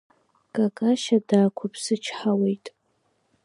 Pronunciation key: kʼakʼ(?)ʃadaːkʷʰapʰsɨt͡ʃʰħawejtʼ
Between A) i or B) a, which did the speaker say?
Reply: B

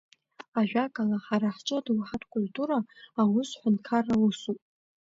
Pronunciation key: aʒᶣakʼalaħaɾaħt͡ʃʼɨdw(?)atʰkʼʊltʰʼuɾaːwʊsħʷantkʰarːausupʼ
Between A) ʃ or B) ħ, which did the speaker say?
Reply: B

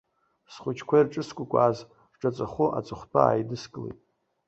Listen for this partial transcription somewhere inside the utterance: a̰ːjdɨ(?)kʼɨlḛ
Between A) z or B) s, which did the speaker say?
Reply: B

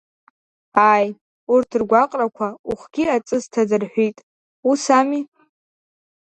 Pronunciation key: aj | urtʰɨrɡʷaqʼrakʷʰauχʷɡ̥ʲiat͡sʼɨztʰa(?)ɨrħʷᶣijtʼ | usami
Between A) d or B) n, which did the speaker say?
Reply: A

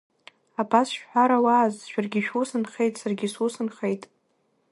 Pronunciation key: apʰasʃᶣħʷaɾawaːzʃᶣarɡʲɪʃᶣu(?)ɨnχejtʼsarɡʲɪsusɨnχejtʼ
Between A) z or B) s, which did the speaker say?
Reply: B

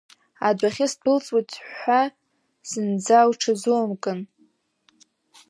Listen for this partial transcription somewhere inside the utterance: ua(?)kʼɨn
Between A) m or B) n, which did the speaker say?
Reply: A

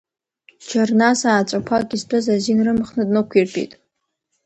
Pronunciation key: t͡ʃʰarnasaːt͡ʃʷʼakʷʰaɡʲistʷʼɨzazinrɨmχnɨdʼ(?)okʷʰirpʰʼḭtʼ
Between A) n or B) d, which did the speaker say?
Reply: A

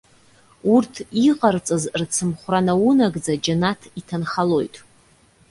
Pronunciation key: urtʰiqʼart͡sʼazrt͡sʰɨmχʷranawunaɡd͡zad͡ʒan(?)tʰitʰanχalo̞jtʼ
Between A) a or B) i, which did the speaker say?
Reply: A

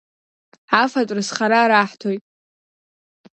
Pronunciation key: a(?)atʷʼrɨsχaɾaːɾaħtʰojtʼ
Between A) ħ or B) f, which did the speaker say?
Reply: B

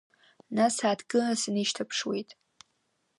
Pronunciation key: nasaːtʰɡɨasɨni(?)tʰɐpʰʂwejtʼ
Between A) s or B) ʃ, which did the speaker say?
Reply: B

